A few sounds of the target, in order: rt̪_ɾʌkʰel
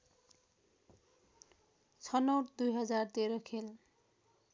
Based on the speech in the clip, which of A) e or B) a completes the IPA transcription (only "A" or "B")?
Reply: A